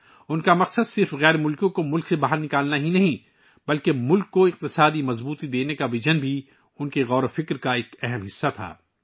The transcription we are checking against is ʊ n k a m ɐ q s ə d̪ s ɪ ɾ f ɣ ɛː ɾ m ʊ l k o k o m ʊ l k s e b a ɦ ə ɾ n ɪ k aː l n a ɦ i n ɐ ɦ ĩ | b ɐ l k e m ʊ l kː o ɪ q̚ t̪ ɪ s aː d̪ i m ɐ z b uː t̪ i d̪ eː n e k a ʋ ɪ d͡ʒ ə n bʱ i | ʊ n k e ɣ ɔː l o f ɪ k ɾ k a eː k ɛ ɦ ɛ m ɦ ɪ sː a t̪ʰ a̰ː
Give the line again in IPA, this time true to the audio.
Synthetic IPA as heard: ʊ n k a m ɐ q s ə d̪ s ɪ ɾ f ɣ ɛː ɾ m ʊ l k õ k o m ʊ l k s e b a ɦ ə ɾ n ɪ k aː l n a ɦ i n ɐ ɦ ĩ | b ɐ l k e m ʊ l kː o ɪ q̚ t̪ ɪ s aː d̪ i m ɐ z b uː t̪ i d̪ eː n e k a ʋ ɪ d͡ʒ ə n bʱ i | ʊ n k e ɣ ɔː ɾ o f ɪ k ɾ k a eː k ɛ ɦ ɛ m ɦ ɪ sː a t̪ʰ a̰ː